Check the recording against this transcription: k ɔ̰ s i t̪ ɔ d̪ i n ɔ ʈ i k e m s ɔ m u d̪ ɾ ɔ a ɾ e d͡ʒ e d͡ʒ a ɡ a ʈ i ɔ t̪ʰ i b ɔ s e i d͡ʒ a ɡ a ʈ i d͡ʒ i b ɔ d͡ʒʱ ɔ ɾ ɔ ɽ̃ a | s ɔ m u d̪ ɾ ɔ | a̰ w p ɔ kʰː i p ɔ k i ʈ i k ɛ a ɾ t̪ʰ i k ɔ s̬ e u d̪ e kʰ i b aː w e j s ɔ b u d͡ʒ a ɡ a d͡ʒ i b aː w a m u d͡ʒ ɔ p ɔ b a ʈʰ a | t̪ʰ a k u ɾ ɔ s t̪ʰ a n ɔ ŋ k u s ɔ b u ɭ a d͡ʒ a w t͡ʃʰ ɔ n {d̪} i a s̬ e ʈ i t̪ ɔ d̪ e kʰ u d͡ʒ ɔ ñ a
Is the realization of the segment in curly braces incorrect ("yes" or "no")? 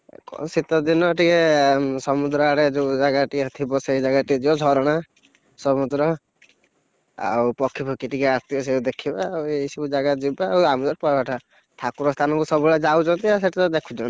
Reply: yes